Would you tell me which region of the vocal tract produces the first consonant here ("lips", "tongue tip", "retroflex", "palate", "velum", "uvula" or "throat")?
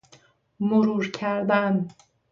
lips